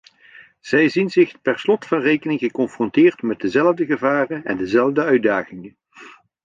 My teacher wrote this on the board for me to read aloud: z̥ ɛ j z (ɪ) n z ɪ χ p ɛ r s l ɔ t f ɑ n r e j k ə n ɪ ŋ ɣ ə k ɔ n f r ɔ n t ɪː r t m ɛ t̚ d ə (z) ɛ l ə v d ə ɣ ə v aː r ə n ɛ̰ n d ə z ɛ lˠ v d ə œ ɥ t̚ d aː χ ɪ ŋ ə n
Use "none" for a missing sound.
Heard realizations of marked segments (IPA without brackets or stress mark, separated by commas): i, z